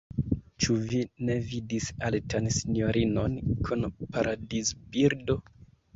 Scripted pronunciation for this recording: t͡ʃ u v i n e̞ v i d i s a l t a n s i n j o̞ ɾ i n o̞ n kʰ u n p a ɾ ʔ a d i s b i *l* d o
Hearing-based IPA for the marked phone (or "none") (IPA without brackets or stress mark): ɾ